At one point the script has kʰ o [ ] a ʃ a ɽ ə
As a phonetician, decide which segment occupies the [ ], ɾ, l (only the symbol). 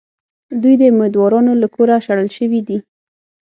ɾ